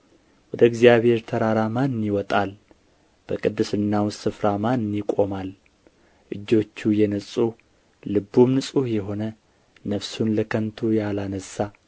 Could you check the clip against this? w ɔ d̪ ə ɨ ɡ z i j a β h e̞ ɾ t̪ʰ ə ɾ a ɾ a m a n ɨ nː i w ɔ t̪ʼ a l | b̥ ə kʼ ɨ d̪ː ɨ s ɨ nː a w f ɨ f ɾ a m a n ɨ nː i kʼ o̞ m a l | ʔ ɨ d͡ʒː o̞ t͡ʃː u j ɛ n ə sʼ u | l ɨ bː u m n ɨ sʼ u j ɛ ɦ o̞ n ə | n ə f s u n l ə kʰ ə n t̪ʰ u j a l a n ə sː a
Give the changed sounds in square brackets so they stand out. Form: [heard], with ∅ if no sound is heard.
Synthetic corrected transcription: w ɔ d̪ ə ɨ ɡ z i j a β h e̞ ɾ t̪ʰ ə ɾ a ɾ a m a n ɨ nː i w ɔ t̪ʼ a l | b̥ ə kʼ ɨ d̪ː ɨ s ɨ nː a w [s] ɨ f ɾ a m a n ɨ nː i kʼ o̞ m a l | ʔ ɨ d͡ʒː o̞ t͡ʃː u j ɛ n ə sʼ u | l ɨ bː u m n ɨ sʼ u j ɛ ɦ o̞ n ə | n ə f s u n l ə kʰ ə n t̪ʰ u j a l a n ə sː a